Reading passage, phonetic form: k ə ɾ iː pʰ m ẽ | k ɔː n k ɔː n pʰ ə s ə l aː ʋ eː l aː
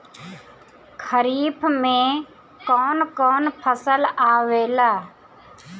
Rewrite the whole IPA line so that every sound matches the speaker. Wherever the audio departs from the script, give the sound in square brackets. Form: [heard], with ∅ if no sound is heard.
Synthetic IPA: [kʰ] ə ɾ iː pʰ m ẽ | k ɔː n k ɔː n pʰ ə s ə l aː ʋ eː l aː